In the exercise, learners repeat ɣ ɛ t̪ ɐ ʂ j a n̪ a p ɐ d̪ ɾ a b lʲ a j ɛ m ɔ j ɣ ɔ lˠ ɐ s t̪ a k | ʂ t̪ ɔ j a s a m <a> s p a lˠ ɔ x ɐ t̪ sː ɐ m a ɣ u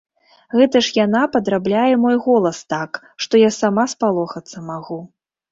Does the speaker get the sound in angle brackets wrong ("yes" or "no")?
no